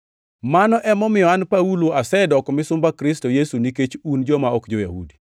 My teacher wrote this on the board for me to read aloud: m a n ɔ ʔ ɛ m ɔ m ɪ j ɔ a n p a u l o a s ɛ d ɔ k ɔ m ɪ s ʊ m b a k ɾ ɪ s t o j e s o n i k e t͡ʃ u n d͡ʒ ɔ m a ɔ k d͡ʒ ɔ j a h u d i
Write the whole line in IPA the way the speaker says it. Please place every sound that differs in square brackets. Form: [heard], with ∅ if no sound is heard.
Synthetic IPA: m a n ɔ ʔ ɛ m ɔ m ɪ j ɔ a n p a u l o a s ɛ d ɔ k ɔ m ɪ s ʊ m b a k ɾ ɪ s t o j e s [u] n i k e t͡ʃ u n d͡ʒ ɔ m a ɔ k d͡ʒ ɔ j a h u d i